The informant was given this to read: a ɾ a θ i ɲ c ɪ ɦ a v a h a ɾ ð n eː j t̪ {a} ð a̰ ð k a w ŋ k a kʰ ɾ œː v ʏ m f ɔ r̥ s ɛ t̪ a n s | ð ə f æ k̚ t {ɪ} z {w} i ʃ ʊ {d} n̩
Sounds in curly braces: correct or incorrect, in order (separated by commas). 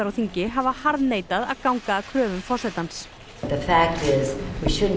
correct, correct, correct, correct